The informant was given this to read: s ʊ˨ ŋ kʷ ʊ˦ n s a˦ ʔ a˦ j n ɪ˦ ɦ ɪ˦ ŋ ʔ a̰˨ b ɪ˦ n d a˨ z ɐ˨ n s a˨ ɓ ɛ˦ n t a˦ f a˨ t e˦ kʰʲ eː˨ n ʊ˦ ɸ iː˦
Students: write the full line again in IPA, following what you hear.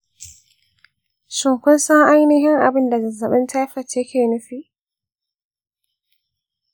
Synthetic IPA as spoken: s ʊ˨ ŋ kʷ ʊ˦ n s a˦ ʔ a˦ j n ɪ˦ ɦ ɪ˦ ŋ ʔ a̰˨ b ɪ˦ n d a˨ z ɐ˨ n z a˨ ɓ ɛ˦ n t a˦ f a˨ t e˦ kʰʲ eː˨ n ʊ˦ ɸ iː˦